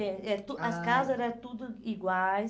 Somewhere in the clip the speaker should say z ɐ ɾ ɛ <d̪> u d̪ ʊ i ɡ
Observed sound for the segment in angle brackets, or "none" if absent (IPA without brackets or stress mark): t̪